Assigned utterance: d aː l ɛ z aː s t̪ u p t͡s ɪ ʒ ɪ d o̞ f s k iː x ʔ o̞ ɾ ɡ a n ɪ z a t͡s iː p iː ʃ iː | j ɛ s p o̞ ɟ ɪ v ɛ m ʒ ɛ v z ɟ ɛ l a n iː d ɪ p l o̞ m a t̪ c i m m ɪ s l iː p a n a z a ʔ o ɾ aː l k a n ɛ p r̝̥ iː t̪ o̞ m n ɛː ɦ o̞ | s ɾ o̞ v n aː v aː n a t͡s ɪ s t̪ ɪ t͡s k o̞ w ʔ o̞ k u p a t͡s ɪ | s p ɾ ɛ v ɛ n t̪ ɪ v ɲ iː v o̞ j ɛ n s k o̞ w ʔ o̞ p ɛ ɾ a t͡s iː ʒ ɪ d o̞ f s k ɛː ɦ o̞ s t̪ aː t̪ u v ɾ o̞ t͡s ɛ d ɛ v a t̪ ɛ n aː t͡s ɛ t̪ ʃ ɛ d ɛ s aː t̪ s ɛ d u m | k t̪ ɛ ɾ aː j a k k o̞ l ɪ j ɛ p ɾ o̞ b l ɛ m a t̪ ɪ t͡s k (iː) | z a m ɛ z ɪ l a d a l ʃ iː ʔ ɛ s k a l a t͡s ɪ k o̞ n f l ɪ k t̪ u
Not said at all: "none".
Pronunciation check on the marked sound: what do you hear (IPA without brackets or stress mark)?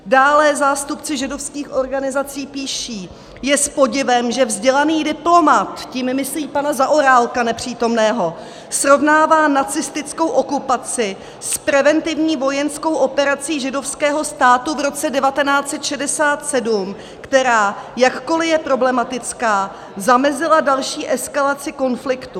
aː